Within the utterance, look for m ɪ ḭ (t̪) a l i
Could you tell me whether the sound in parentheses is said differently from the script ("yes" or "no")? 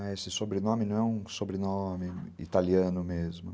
no